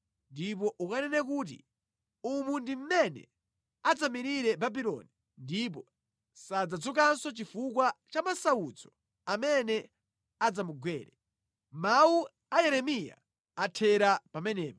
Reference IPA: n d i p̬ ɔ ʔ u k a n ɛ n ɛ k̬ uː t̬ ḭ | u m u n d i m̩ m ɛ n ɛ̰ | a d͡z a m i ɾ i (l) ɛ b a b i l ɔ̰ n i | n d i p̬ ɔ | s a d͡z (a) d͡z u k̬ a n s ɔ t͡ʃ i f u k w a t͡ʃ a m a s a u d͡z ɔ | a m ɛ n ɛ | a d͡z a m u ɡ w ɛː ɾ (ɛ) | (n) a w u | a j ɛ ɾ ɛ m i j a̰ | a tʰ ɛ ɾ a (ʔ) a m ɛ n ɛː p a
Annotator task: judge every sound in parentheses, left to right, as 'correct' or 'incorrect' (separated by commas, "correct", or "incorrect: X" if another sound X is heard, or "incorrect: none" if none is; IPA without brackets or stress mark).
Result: incorrect: ɾ, correct, correct, incorrect: m, incorrect: p